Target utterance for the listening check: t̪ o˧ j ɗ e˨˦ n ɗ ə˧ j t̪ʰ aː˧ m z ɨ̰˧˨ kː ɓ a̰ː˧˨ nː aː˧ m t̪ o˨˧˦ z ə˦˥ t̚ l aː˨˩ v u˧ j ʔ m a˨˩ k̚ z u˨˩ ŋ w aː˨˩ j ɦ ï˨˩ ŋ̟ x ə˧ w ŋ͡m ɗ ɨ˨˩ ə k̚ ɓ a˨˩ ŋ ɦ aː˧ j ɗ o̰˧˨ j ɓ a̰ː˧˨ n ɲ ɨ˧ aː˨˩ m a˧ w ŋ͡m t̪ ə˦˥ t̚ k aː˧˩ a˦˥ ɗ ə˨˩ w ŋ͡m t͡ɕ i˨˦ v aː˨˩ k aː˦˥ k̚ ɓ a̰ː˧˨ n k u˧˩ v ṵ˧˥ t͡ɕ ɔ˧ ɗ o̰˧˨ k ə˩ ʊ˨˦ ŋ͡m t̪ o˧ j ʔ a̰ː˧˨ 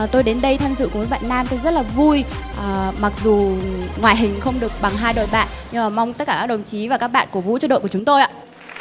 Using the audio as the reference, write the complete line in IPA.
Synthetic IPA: t̪ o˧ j ɗ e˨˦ n ɗ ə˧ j t̪ʰ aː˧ m z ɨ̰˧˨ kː ɓ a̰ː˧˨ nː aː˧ m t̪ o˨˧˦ z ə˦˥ t̚ l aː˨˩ v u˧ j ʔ m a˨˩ k̚ z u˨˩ ŋ w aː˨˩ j ɦ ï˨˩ ŋ̟ x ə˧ w ŋ͡m ɗ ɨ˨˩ ə k̚ ɓ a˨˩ ŋ ɦ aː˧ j ɗ o̰˧˨ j ɓ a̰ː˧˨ n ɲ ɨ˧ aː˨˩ m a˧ w ŋ͡m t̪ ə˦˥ t̚ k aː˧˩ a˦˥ ɗ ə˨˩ w ŋ͡m t͡ɕ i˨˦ v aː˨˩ k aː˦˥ k̚ ɓ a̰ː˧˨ n k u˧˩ v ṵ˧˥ t͡ɕ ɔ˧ ɗ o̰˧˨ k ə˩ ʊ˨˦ ŋ͡m t̪ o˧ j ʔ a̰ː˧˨